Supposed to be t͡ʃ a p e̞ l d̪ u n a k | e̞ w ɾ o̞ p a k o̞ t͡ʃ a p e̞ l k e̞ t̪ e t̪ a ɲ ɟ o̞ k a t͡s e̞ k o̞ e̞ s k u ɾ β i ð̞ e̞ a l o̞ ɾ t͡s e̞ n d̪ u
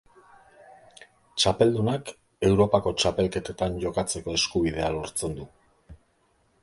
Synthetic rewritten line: t͡ʃ a p e̞ l d̪ u n a k | e̞ w ɾ o̞ p a k o̞ t͡ʃ a p e̞ l k e̞ t̪ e t̪ a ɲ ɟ o̞ k a t͡s e̞ k o̞ e̞ s k u β i ð̞ e̞ a l o̞ ɾ t͡s e̞ n d̪ u